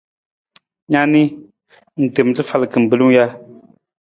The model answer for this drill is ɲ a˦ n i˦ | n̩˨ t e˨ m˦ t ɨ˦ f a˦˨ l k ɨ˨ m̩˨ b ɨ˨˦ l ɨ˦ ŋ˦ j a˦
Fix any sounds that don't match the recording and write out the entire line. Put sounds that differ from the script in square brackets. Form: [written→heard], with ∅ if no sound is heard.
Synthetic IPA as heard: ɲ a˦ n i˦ | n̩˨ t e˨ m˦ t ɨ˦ f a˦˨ l k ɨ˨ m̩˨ b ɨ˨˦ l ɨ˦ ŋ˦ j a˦